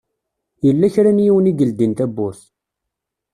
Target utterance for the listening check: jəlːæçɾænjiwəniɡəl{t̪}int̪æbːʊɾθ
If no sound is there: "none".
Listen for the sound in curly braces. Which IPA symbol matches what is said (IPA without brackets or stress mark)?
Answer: d̪